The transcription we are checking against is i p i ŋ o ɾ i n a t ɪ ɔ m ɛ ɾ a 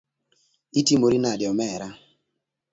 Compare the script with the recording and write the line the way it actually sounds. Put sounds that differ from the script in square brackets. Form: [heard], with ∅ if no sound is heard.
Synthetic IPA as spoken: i [t] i [m] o ɾ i n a [d] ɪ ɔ m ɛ ɾ a